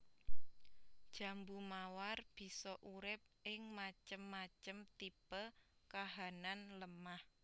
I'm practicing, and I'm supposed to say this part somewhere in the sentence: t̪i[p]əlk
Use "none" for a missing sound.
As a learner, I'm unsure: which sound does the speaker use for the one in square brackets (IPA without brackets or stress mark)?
p